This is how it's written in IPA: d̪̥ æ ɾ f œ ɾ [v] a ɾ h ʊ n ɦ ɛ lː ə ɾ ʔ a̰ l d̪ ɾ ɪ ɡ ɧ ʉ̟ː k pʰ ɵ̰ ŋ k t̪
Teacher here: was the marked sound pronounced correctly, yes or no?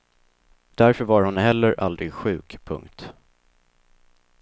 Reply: yes